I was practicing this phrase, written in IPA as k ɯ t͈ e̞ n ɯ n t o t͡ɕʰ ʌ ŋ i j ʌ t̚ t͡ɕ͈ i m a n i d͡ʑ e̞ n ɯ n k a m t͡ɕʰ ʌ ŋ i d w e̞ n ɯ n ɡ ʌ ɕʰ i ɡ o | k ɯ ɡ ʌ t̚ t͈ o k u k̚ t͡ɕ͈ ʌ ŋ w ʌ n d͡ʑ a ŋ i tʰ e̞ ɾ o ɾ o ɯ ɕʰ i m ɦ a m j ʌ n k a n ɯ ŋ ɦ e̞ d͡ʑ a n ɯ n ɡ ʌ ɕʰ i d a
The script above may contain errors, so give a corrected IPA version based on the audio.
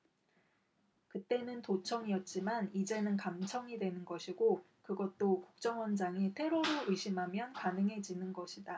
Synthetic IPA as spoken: k ɯ t͈ e̞ n ɯ n t o t͡ɕʰ ʌ ŋ i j ʌ t̚ t͡ɕ͈ i m a n i d͡ʑ e̞ n ɯ n k a m t͡ɕʰ ʌ ŋ i d w e̞ n ɯ n ɡ ʌ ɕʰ i ɡ o | k ɯ ɡ ʌ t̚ t͈ o k u k̚ t͡ɕ͈ ʌ ŋ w ʌ n d͡ʑ a ŋ i tʰ e̞ ɾ o ɾ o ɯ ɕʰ i m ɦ a m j ʌ n k a n ɯ ŋ ɦ e̞ d͡ʑ i n ɯ n ɡ ʌ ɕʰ i d a

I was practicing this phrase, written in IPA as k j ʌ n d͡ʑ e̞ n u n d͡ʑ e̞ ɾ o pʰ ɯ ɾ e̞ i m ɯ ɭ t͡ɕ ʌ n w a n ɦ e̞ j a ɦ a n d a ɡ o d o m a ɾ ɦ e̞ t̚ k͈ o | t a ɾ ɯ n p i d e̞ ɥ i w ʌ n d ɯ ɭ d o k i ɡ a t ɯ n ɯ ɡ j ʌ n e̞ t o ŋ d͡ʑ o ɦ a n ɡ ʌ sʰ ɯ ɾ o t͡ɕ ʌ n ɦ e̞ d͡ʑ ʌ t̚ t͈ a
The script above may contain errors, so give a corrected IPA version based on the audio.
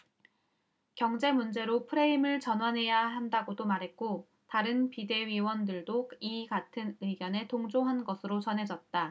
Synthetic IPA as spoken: k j ʌ ŋ d͡ʑ e̞ m u n d͡ʑ e̞ ɾ o pʰ ɯ ɾ e̞ i m ɯ ɭ t͡ɕ ʌ n w a n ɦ e̞ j a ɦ a n d a ɡ o d o m a ɾ ɦ e̞ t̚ k͈ o | t a ɾ ɯ n p i d e̞ ɥ i w ʌ n d ɯ ɭ d o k i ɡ a tʰ ɯ n ɯ ɡ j ʌ n e̞ t o ŋ d͡ʑ o ɦ a n ɡ ʌ sʰ ɯ ɾ o t͡ɕ ʌ n ɦ e̞ d͡ʑ ʌ t̚ t͈ a

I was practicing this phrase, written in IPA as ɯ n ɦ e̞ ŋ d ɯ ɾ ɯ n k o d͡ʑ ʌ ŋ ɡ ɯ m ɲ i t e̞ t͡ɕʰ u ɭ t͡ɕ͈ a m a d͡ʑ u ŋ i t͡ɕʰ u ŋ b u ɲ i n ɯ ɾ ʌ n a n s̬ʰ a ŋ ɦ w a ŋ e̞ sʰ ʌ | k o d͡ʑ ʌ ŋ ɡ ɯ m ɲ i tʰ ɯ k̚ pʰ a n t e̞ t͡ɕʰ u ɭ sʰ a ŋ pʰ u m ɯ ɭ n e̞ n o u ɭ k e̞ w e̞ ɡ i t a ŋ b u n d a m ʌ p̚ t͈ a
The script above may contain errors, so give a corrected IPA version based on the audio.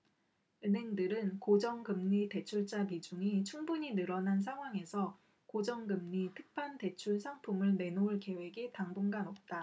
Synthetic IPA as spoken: ɯ n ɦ e̞ ŋ d ɯ ɾ ɯ n k o d͡ʑ ʌ ŋ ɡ ɯ m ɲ i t e̞ t͡ɕʰ u ɭ t͡ɕ͈ a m i d͡ʑ u ŋ i t͡ɕʰ u ŋ b u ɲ i n ɯ ɾ ʌ n a n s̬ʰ a ŋ ɦ w a ŋ e̞ sʰ ʌ | k o d͡ʑ ʌ ŋ ɡ ɯ m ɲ i tʰ ɯ k̚ pʰ a n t e̞ t͡ɕʰ u ɭ sʰ a ŋ pʰ u m ɯ ɭ n e̞ n o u ɭ k e̞ w e̞ ɡ i t a ŋ b u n ɡ a n ʌ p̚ t͈ a

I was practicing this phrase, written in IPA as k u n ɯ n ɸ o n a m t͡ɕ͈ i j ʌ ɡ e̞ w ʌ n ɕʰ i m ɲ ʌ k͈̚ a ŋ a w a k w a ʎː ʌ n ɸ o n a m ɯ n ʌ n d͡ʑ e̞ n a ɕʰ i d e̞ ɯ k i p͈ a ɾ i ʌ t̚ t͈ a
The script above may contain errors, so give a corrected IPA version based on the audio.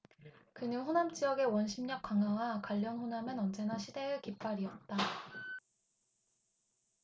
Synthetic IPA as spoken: k ɯ n ɯ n ɸ o n a m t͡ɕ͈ i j ʌ ɡ e̞ w ʌ n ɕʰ i m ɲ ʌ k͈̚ a ŋ a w a k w a ʎː ʌ n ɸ o n a m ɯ n ʌ n d͡ʑ e̞ n a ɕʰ i d e̞ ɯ k i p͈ a ɾ i ʌ t̚ t͈ a

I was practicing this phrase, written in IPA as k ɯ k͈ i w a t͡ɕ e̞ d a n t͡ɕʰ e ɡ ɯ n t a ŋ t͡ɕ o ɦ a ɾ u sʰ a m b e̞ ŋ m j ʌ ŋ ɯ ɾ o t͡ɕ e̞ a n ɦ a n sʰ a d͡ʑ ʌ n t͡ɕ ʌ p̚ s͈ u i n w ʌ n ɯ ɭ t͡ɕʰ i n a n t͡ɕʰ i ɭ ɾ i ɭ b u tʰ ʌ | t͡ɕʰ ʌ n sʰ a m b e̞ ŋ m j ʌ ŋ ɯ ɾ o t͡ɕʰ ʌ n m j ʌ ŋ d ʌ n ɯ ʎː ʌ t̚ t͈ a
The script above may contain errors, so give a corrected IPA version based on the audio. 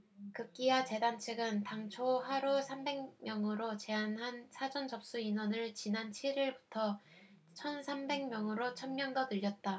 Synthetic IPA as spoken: k ɯ k͈ i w a t͡ɕ e̞ d a n t͡ɕʰ e ɡ ɯ n t a ŋ t͡ɕʰ o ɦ a ɾ u sʰ a m b e̞ ŋ m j ʌ ŋ ɯ ɾ o t͡ɕ e̞ a n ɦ a n sʰ a d͡ʑ ʌ n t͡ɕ ʌ p̚ s͈ u i n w ʌ n ɯ ɭ t͡ɕ i n a n t͡ɕʰ i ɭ ɾ i ɭ b u tʰ ʌ | t͡ɕʰ ʌ n sʰ a m b e̞ ŋ m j ʌ ŋ ɯ ɾ o t͡ɕʰ ʌ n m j ʌ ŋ d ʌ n ɯ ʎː ʌ t̚ t͈ a

